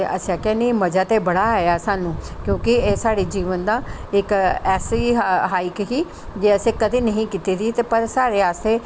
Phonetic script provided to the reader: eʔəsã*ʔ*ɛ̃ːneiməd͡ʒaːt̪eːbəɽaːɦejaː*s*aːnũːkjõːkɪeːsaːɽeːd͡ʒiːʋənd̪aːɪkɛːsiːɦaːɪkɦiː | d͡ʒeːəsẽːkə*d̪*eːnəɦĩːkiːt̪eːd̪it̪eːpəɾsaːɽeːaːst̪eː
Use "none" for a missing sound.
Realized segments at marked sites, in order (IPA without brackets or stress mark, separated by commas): k, s, d̪